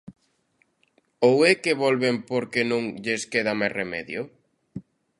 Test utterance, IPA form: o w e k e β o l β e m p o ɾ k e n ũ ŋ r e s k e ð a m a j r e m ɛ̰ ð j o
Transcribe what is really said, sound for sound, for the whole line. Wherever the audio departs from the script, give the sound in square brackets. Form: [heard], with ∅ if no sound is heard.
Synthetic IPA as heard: o w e k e β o l β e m p o ɾ k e n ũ ŋ [ʎ] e s k e ð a m a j r e m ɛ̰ ð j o